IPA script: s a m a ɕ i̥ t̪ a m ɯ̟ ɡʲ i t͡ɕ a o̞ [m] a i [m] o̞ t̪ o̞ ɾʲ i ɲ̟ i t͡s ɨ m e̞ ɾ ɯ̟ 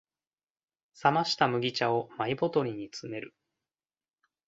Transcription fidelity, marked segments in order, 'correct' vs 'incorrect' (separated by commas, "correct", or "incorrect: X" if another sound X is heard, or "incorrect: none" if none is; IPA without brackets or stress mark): correct, incorrect: b